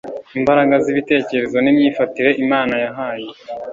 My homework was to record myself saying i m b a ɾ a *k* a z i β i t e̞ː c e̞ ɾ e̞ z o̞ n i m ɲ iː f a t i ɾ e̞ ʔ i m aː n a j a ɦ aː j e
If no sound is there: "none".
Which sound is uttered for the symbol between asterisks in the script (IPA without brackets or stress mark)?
ɡ